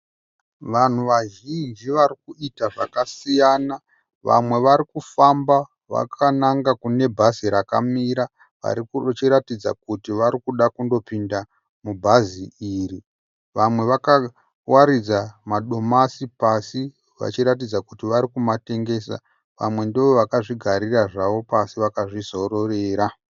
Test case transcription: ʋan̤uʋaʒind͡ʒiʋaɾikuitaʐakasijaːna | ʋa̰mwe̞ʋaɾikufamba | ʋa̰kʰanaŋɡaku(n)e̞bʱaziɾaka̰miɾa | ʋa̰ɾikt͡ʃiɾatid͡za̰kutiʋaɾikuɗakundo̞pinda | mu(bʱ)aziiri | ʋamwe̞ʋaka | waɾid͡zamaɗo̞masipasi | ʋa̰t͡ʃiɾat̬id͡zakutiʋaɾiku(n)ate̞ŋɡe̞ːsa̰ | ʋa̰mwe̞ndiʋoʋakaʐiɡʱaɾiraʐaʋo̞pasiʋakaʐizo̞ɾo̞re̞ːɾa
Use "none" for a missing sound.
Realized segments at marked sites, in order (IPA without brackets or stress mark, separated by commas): n, bʱ, m